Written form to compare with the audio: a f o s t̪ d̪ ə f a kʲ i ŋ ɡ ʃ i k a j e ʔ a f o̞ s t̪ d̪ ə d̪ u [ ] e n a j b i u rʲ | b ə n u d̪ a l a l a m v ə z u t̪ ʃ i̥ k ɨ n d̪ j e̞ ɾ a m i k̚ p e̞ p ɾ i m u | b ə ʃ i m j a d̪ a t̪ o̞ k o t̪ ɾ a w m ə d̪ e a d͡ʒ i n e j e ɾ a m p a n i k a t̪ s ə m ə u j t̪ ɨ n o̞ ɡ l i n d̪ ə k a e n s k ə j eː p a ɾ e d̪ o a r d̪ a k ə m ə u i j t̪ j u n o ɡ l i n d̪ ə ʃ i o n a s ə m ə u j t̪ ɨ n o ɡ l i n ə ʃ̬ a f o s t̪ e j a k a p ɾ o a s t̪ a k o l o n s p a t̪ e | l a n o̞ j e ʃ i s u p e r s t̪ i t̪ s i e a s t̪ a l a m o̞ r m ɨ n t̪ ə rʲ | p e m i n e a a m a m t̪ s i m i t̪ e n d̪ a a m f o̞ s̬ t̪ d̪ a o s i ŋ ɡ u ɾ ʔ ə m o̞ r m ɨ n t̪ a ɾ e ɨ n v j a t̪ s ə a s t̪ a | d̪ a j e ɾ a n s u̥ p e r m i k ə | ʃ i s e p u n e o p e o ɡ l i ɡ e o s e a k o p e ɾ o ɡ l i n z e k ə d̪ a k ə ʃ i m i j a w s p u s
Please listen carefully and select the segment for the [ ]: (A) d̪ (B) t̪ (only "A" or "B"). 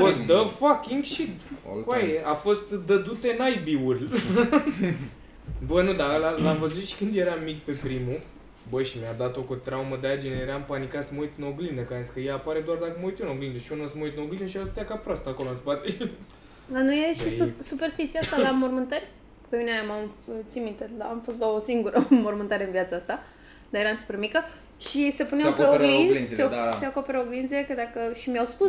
B